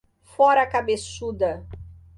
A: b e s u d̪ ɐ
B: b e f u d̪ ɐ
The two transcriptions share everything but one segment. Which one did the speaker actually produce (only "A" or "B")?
A